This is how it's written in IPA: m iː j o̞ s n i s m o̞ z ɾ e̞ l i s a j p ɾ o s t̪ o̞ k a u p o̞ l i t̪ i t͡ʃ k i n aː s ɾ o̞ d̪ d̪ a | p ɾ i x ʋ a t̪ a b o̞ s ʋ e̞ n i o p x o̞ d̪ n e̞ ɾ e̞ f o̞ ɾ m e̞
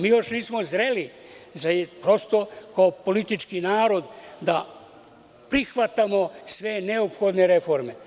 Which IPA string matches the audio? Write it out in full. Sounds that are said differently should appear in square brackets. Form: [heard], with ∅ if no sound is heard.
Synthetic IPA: m iː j o̞ [ʃ] n [iː] s m o̞ z ɾ e̞ l i [z] a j p ɾ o s t̪ o̞ k a [o] p o̞ l i t̪ i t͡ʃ k i n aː [∅] ɾ o̞ d̪ d̪ a | p ɾ i x ʋ a t̪ a [m] o̞ s ʋ e̞ n [e] o p x o̞ d̪ n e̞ ɾ e̞ f o̞ ɾ m e̞